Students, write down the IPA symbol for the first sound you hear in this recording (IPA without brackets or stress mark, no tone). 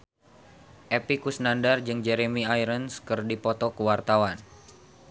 ʔ